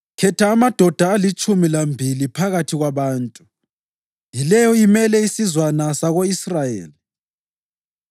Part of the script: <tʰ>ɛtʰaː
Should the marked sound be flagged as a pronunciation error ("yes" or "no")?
yes